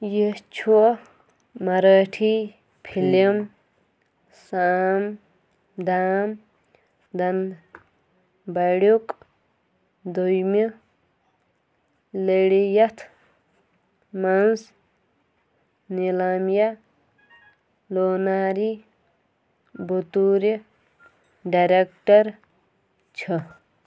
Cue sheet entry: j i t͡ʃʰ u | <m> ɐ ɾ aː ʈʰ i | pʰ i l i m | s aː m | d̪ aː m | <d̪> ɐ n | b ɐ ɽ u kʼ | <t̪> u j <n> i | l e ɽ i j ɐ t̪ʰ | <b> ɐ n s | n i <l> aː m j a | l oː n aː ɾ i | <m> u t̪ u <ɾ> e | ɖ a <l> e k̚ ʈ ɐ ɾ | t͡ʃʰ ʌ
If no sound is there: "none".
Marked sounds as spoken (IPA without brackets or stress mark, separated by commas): m, d̪, d̪, m, m, l, b, ɾ, ɾ